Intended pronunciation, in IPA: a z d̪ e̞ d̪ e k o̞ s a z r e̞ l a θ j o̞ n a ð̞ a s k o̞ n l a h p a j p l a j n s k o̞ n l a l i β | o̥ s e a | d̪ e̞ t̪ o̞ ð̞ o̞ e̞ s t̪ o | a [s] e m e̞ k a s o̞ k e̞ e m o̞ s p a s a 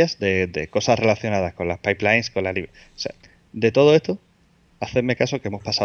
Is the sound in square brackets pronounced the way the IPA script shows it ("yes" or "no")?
no